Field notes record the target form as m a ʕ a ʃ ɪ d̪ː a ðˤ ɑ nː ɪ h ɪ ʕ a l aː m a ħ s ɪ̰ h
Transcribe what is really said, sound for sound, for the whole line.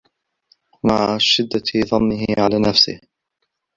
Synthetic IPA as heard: m a ʕ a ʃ ɪ d̪ː a ðˤ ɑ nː ɪ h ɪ ʕ a l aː n a f s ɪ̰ h